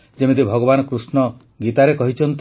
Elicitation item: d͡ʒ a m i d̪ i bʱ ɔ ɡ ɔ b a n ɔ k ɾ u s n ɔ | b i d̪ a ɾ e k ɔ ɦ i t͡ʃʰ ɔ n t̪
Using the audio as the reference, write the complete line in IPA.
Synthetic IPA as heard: d͡ʒ e m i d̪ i bʱ ɔ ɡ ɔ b a n ɔ k ɾ u s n ɔ | ɡ i t̪ a ɾ e k ɔ ɦ i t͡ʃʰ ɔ n t̪